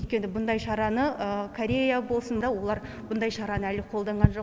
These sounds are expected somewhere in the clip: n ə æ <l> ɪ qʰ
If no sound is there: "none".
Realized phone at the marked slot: l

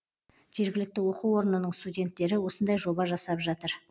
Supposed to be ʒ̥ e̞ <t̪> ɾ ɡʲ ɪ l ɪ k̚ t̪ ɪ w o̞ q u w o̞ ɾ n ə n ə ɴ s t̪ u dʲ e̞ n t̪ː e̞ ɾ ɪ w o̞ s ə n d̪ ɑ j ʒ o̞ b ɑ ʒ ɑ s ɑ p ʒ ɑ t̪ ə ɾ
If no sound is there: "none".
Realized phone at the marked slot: none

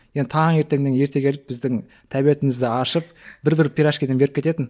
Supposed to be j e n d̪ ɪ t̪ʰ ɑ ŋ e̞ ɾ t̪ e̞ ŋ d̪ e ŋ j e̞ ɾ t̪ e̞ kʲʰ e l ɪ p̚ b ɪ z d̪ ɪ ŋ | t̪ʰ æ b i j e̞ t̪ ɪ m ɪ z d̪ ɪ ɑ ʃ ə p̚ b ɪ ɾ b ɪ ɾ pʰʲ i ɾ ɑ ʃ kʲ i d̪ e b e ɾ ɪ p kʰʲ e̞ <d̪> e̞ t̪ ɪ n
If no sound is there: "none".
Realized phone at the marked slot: t̪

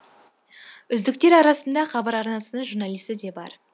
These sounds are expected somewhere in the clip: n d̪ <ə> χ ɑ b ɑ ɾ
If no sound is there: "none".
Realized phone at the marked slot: ɑ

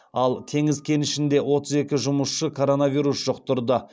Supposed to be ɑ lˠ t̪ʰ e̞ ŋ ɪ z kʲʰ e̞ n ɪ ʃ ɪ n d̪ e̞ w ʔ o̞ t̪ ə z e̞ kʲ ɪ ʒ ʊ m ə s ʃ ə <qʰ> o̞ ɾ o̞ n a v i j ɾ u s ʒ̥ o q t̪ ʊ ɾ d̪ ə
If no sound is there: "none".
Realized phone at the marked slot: kʰ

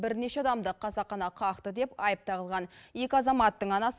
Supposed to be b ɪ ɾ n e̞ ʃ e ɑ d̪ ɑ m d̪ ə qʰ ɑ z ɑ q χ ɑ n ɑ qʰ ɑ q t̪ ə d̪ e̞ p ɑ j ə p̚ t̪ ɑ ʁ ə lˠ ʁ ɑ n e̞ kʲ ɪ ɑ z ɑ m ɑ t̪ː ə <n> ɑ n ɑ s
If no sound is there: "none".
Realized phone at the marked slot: ɴ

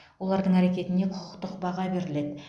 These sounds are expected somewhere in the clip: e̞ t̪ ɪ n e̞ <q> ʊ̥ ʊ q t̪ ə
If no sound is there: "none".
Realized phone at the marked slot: qʰ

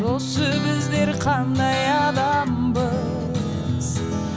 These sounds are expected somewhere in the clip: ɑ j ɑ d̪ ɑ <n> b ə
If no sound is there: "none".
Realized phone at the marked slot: m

